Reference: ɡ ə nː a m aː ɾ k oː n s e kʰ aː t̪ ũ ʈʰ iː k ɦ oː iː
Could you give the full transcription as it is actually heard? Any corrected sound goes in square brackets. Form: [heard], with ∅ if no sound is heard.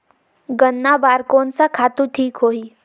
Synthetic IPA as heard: ɡ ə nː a [b] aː ɾ k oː n s [a] kʰ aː t̪ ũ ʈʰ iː k ɦ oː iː